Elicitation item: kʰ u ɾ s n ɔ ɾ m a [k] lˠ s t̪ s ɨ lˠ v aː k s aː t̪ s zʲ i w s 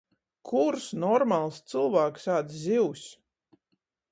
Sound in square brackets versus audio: incorrect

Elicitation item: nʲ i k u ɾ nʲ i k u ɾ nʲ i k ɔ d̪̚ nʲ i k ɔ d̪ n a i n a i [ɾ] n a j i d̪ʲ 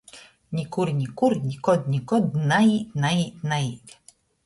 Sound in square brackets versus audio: incorrect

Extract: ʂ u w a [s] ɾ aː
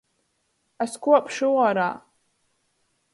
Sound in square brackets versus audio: incorrect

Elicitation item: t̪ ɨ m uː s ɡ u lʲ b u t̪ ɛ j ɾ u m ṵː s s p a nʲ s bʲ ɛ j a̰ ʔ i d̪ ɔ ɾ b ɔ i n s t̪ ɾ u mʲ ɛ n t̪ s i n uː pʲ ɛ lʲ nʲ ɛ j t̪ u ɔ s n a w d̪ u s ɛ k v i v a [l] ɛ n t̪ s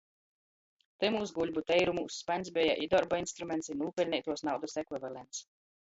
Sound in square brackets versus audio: correct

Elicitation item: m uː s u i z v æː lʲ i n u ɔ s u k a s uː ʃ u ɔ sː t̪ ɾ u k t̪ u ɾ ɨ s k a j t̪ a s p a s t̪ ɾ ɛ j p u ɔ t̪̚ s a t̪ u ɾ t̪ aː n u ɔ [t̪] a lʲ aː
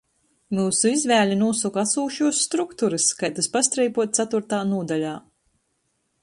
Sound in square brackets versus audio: incorrect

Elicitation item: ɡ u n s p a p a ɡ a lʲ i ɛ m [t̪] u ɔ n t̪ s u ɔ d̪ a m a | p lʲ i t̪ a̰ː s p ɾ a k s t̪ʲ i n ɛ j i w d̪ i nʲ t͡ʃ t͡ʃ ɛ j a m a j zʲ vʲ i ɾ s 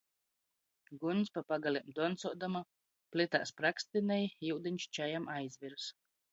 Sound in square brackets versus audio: incorrect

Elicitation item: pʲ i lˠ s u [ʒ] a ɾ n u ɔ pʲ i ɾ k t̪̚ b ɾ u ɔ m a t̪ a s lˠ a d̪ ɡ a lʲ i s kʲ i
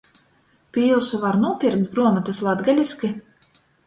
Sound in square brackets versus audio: incorrect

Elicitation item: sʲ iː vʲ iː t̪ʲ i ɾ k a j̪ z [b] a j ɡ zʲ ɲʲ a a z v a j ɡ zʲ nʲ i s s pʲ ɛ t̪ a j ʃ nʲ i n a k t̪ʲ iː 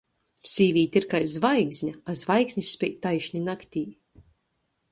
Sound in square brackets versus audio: incorrect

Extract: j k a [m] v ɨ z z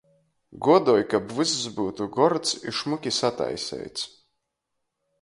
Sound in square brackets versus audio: incorrect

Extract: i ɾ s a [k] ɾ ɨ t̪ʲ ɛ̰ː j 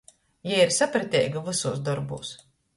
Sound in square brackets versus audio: incorrect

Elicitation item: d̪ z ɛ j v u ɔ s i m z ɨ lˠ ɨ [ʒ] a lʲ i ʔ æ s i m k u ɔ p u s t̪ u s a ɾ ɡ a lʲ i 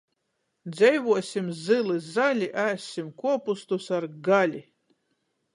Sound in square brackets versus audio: incorrect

